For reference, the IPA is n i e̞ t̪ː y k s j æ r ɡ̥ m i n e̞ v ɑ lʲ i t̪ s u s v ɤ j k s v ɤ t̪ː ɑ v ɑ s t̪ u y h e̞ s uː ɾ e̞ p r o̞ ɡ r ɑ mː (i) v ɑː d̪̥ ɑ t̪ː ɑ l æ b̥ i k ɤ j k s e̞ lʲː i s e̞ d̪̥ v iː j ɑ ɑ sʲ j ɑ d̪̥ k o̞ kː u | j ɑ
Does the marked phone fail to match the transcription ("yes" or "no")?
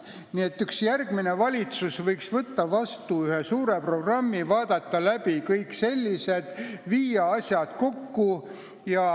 no